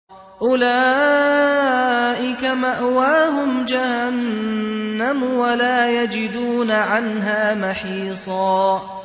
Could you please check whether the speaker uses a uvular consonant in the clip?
no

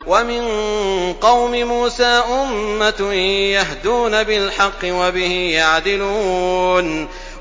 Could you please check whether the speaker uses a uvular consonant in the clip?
yes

